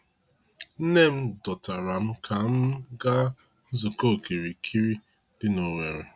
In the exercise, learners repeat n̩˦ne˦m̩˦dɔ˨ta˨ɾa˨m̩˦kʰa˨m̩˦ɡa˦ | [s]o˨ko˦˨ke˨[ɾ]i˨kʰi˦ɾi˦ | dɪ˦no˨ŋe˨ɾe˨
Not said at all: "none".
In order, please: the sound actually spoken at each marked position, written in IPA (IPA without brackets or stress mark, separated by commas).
z, ɾ